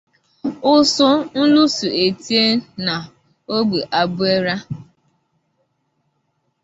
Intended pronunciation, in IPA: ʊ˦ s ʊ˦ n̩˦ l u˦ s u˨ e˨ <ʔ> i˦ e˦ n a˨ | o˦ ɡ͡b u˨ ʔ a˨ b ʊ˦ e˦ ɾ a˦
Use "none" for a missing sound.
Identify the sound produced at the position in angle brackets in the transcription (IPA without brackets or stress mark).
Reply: t